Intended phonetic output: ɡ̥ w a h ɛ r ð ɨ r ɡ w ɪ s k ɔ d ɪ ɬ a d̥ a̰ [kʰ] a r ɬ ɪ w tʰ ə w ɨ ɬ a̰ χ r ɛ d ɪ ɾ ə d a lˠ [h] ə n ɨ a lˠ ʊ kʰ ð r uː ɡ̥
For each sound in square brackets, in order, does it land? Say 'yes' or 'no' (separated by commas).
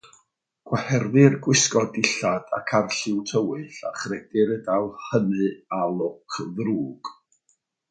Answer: yes, yes